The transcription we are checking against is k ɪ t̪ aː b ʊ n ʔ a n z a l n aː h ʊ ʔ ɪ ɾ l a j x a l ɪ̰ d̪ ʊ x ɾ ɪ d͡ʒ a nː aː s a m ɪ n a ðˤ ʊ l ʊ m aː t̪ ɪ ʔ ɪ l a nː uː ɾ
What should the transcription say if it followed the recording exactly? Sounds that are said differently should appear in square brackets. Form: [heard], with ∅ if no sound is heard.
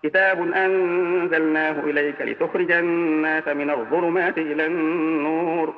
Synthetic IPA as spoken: k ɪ t̪ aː b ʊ n ʔ a n z a l n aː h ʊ ʔ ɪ [∅] l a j [k] a l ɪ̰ [t̪] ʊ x ɾ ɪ d͡ʒ a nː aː s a m ɪ n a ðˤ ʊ l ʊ m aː t̪ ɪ ʔ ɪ l a nː uː ɾ